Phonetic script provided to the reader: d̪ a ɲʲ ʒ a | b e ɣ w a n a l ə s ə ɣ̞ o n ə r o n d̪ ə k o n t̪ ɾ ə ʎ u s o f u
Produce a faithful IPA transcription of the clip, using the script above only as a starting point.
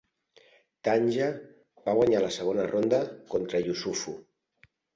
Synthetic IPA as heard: t̪ a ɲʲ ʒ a | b a ɣ w a ɲ a l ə s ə ɣ̞ o n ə r o n d̪ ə k o n t̪ ɾ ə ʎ u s u f u